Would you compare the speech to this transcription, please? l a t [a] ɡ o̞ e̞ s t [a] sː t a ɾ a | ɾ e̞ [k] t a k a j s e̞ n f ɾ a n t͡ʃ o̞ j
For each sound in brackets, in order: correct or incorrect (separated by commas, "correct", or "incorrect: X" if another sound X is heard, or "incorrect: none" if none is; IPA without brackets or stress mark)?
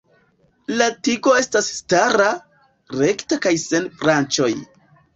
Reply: incorrect: i, correct, correct